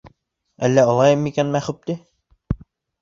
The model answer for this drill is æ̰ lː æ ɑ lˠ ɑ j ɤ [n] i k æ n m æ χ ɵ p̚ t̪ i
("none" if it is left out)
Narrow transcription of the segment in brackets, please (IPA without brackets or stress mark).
m